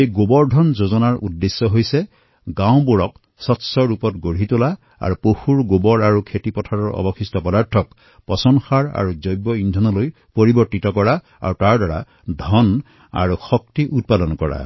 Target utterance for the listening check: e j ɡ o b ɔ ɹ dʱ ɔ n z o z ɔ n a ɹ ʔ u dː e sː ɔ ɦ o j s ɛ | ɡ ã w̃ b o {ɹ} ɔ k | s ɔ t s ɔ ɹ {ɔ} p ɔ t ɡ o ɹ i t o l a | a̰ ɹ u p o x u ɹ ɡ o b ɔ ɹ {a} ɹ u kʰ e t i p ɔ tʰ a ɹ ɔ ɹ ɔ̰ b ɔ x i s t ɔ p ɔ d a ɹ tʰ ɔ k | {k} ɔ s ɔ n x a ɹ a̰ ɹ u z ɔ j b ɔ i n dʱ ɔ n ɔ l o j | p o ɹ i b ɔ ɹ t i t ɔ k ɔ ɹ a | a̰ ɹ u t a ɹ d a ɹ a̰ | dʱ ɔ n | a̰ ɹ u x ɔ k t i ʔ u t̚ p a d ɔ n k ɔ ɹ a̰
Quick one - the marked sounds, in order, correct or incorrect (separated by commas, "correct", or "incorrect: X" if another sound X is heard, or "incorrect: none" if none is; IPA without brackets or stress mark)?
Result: correct, incorrect: u, correct, incorrect: p